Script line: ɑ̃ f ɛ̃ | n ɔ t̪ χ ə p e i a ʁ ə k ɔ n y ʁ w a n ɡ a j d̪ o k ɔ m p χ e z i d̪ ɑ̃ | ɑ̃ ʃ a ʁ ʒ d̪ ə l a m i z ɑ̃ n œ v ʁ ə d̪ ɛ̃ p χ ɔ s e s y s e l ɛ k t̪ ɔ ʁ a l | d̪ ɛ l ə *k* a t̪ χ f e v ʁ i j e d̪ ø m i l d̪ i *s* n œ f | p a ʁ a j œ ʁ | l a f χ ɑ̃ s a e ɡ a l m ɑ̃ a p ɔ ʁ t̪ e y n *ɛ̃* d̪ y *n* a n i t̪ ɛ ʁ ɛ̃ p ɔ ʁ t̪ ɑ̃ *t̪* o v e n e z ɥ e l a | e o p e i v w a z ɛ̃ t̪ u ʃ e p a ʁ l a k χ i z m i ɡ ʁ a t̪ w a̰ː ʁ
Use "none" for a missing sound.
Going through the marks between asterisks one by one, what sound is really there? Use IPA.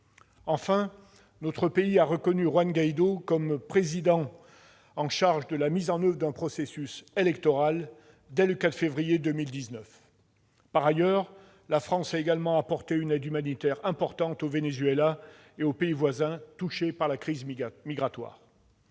k, z, ɛ, m, t̪

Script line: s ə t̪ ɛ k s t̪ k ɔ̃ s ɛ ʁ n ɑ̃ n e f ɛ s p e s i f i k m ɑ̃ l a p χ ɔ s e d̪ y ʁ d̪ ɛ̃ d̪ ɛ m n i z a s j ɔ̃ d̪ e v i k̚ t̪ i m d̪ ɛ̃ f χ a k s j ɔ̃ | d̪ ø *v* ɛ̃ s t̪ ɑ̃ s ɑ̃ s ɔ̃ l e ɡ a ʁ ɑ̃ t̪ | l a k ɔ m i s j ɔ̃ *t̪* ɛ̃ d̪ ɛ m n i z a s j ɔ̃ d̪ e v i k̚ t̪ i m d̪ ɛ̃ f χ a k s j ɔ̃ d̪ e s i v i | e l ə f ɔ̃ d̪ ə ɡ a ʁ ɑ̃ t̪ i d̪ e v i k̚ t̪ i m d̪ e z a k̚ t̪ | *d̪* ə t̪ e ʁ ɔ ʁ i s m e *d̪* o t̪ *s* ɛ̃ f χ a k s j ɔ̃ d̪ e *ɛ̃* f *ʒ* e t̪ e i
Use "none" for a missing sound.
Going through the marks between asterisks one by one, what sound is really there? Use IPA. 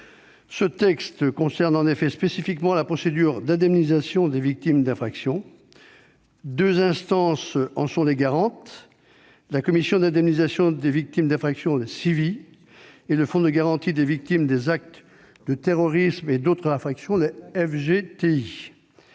z, d̪, d̪, d̪, χ, ɛ, ʒ

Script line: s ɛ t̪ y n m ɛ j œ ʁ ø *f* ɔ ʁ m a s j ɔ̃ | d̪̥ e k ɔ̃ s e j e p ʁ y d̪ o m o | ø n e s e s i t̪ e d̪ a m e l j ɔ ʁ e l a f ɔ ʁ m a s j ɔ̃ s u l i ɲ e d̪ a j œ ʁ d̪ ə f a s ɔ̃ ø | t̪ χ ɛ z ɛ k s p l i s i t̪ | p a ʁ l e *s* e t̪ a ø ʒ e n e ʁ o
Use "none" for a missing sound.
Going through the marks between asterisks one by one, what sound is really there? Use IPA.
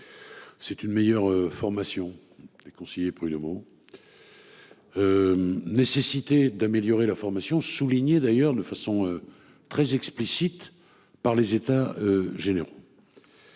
f, z

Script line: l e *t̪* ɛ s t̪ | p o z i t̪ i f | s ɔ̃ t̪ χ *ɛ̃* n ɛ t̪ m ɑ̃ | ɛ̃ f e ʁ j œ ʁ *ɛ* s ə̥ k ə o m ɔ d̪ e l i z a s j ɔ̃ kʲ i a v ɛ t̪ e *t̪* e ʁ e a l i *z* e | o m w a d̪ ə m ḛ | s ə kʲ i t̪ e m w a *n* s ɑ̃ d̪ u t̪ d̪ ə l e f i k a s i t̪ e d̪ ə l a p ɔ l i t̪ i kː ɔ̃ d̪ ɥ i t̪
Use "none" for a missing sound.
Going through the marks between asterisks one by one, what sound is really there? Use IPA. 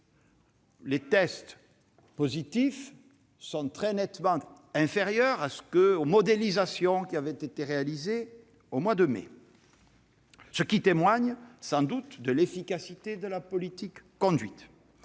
t̪, ɛ, a, t̪, z, ɲ

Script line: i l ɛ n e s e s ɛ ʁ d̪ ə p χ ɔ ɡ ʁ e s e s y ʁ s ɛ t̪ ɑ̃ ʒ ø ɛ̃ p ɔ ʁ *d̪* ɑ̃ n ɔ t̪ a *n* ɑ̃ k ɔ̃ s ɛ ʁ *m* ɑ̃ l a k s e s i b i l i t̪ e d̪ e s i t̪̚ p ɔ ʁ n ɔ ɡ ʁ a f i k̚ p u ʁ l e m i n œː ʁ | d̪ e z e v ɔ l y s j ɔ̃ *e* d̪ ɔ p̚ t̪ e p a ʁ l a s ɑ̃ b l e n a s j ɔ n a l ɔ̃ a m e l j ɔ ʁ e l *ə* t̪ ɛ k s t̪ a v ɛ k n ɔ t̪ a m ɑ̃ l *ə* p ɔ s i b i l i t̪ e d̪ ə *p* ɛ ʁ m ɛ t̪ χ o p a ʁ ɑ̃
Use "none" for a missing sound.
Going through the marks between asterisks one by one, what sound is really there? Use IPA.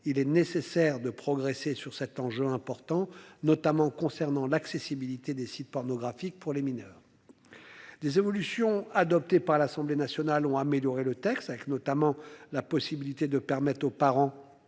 t̪, m, n, a, ə, a, p

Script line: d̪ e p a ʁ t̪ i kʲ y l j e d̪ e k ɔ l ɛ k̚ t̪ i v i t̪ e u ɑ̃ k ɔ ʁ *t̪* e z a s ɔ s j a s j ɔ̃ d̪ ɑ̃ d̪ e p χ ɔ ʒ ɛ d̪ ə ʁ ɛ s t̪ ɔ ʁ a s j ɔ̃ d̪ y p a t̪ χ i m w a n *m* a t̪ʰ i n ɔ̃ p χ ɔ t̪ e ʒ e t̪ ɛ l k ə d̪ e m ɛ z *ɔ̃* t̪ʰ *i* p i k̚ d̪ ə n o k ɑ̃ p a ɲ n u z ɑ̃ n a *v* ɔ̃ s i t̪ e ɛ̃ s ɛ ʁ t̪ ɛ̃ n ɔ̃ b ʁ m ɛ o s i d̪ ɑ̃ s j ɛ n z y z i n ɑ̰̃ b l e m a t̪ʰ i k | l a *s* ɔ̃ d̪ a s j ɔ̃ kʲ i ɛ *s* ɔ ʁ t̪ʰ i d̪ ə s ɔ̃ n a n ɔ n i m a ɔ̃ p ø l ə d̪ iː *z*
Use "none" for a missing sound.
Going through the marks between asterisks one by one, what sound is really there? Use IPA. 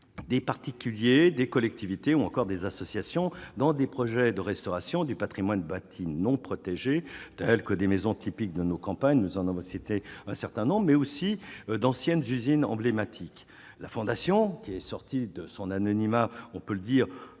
d̪, b, ɔ̃, i, v, f, s, ʁ

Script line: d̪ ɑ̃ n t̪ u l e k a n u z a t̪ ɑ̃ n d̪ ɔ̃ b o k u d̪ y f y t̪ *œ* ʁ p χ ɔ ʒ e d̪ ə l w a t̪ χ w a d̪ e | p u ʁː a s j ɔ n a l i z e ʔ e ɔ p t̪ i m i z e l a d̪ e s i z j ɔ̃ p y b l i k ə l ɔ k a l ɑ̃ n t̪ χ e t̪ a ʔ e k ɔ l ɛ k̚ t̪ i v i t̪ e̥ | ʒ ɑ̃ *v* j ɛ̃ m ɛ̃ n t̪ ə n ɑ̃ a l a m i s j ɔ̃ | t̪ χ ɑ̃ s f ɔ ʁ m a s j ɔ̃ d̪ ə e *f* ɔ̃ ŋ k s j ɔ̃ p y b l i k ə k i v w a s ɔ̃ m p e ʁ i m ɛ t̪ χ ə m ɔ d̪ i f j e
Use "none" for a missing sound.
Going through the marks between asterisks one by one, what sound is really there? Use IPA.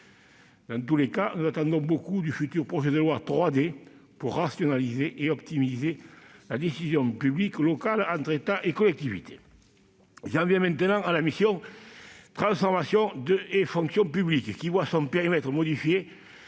y, v, f

